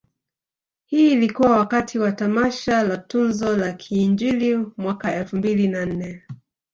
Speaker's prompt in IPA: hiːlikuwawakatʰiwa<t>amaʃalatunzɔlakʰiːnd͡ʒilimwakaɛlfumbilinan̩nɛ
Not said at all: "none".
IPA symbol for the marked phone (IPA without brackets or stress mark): t